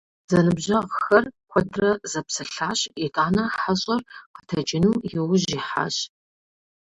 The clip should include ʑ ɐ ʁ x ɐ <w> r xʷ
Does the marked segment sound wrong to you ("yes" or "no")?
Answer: yes